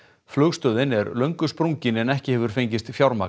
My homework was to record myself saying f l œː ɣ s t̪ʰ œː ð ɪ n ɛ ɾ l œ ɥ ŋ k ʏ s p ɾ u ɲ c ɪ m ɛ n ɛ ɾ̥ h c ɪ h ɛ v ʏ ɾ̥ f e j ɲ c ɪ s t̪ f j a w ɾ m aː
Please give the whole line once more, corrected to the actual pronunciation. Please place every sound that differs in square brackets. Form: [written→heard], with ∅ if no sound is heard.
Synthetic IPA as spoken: f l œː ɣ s [t̪ʰ→t̪] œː ð ɪ n ɛ ɾ l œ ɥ ŋ k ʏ s p ɾ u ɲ c ɪ [m→n] ɛ n ɛ [ɾ̥→∅] h c ɪ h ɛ v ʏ ɾ̥ f e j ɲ c ɪ s t̪ f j a w ɾ m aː